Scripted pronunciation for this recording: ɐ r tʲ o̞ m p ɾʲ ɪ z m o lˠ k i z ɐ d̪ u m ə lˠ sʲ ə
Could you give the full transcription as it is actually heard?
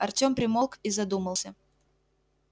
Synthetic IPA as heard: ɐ r tʲ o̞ m p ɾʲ ɪ m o lˠ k i z ɐ d̪ u m ə lˠ sʲ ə